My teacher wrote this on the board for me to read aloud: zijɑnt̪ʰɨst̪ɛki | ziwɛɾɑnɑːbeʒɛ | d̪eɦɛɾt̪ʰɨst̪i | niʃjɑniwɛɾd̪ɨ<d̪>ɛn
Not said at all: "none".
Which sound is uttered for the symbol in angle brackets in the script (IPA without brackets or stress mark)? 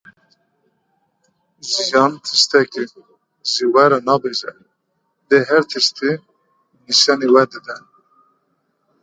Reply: d̪